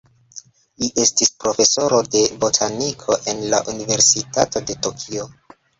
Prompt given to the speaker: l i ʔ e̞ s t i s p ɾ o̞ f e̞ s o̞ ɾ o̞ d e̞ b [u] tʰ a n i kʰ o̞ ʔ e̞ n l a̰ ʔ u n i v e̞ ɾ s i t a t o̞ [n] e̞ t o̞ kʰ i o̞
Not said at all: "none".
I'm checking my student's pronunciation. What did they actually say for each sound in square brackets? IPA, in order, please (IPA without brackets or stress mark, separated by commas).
o, d